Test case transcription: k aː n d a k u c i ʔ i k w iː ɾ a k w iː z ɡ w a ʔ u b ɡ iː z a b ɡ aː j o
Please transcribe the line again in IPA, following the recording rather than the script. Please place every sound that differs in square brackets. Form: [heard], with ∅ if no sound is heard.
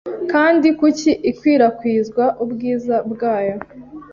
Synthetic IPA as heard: k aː n d [i] k u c i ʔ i k w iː ɾ a k w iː z ɡ w a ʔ u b ɡ iː z a b ɡ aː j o